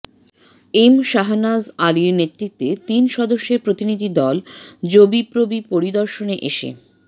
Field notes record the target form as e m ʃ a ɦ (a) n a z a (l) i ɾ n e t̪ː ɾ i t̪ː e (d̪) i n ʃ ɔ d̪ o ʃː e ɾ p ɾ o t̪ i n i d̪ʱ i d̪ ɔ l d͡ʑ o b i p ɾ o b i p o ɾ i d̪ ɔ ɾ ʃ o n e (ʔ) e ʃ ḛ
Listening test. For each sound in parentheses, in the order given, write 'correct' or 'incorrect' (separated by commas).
correct, correct, incorrect, correct